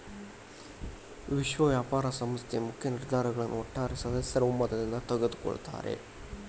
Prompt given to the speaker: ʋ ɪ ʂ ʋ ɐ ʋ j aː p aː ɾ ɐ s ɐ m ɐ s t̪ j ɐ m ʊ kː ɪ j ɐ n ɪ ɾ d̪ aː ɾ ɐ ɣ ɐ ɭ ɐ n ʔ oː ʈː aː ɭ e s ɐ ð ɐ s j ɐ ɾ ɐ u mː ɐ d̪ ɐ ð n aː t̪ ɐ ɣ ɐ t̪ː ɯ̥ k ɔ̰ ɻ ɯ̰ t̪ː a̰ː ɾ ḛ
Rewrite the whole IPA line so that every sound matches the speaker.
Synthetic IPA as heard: ʋ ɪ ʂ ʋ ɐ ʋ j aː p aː ɾ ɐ s ɐ m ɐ s t̪ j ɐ m ʊ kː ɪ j ɐ n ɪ ɾ d̪ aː ɾ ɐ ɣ ɐ ɭ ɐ n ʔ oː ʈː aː ɾ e s ɐ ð ɐ s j ɐ ɾ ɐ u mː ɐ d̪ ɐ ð n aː t̪ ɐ ɣ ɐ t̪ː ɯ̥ k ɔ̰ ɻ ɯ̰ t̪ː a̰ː ɾ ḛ